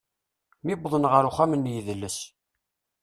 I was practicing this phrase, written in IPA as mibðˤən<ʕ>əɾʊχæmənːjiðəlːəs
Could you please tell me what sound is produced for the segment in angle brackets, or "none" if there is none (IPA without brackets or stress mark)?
ʁ